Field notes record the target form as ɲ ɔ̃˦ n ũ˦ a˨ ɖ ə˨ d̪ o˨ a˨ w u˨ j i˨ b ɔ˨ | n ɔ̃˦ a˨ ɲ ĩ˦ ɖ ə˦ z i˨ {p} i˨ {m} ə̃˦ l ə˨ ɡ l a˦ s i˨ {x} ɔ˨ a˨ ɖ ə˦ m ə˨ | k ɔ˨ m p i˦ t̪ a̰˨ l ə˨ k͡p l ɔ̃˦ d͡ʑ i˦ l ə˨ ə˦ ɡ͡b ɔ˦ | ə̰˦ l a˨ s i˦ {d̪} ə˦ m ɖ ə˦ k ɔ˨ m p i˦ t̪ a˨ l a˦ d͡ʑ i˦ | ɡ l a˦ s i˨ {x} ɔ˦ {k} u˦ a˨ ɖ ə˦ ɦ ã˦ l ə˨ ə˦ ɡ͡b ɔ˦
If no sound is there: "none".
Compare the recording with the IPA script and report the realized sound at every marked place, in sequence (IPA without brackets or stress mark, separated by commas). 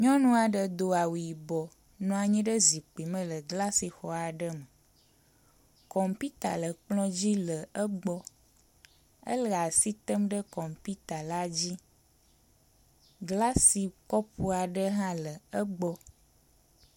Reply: k͡p, m, x, t̪, k, p